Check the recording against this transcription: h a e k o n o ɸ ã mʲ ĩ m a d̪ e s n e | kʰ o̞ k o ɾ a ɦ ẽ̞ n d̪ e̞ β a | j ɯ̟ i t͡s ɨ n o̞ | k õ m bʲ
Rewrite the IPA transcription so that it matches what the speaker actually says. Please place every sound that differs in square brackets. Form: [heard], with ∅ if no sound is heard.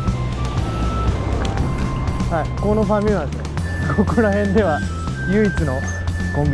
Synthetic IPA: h a [i] k o n o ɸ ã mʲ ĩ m a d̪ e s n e | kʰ o̞ k o ɾ a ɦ ẽ̞ n d̪ e̞ β a | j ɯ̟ i t͡s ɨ n o̞ | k õ m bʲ